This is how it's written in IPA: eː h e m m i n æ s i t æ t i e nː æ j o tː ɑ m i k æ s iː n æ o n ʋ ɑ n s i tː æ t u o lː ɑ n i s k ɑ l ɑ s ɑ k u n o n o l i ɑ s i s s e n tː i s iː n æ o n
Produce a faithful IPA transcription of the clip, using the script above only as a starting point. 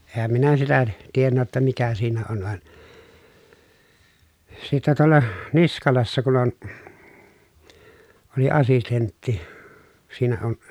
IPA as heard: eː h æ m m i n æ s i t æ t i e nː æ j o tː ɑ m i k æ s iː n æ o n ʋ ɑ n s i tː æ t u o lː ɑ n i s k ɑ l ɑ sː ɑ k u n o n o l i ɑ s i s t e n tː i s iː n æ o n